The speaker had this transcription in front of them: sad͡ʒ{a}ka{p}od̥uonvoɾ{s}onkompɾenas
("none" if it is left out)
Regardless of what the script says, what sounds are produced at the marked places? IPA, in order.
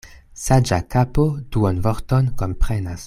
a, p, t

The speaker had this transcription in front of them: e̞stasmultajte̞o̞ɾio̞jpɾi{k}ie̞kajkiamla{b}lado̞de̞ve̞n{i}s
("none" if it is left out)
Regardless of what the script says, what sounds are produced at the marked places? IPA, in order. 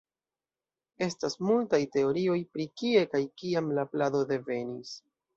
k, p, i

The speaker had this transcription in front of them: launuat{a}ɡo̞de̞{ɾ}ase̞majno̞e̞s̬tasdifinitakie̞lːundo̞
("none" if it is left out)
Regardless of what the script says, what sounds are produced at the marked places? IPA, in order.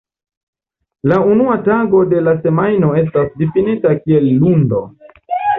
a, l

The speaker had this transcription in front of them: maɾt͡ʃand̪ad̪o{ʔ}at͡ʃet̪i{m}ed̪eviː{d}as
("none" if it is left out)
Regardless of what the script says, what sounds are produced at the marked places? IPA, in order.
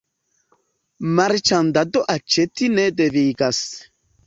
ʔ, n, ɡ

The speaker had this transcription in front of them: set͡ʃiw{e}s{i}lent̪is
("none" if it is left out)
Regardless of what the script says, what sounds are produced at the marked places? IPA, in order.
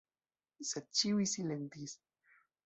i, i

